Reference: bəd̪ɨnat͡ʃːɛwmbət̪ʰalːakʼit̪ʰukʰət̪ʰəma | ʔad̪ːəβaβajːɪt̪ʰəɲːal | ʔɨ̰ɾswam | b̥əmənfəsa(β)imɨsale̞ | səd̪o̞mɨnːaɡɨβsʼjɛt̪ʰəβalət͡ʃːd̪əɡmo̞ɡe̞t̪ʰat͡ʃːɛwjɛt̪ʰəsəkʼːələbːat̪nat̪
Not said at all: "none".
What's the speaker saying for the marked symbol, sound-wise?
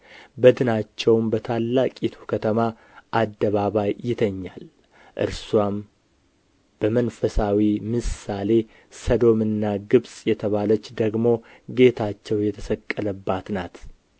w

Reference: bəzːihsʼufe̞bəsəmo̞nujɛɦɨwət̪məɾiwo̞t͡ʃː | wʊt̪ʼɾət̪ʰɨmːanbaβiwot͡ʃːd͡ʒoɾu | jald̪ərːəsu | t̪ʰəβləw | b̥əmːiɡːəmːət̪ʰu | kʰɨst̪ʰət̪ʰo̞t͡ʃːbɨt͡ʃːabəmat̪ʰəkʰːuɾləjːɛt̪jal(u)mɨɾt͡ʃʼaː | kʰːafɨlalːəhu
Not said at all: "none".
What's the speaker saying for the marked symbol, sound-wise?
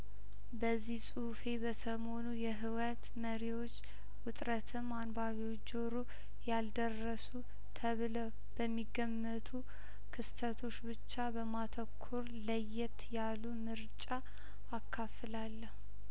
u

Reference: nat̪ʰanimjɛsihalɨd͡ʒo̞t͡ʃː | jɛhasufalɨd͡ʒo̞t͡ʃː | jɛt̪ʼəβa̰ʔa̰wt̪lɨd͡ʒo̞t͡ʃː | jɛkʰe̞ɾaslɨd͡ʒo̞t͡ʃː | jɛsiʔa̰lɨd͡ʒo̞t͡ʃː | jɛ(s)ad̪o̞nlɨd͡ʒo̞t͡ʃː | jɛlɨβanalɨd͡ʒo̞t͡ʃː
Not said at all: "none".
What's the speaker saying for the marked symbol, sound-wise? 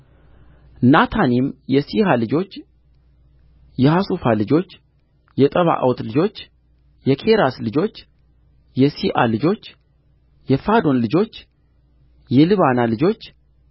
f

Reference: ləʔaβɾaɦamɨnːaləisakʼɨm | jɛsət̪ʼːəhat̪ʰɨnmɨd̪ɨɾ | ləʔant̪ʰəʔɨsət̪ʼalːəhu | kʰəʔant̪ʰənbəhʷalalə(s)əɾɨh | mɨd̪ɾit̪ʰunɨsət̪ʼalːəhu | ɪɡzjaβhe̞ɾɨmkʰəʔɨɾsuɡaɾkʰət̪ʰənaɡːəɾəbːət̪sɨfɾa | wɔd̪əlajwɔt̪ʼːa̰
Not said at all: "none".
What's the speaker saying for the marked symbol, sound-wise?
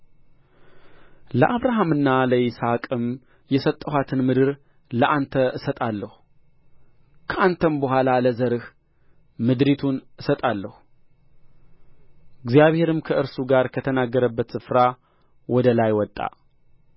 z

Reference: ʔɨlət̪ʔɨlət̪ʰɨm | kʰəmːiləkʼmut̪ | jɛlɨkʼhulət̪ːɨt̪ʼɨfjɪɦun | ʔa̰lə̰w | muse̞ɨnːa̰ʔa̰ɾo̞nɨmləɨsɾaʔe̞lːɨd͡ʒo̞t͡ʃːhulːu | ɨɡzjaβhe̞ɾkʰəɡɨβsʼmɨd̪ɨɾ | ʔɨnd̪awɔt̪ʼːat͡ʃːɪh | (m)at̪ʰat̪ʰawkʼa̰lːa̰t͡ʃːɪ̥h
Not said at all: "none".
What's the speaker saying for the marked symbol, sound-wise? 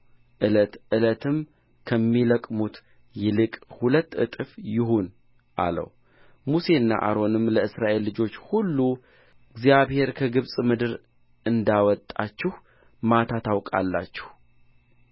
m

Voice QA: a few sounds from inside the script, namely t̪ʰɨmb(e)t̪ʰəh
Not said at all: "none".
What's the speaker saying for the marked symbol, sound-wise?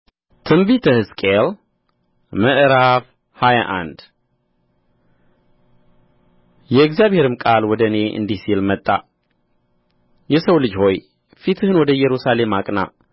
i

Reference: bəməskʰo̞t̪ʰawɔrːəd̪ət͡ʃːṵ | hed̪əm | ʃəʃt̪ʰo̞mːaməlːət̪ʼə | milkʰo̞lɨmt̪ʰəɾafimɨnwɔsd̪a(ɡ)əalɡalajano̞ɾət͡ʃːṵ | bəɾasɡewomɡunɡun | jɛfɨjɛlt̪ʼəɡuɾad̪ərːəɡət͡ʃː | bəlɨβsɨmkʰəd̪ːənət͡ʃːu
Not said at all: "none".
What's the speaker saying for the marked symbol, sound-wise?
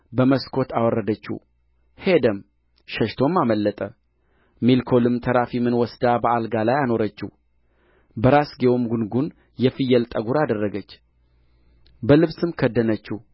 b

